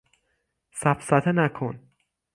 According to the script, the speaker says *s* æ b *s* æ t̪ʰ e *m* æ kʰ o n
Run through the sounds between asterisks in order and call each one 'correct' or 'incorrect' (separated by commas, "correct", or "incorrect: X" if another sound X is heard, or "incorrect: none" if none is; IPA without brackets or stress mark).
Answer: correct, correct, incorrect: n